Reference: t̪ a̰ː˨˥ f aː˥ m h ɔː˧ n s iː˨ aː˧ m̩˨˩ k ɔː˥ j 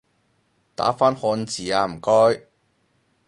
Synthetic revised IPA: t̪ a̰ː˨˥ f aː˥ n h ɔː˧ n t͡s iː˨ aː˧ m̩˨˩ k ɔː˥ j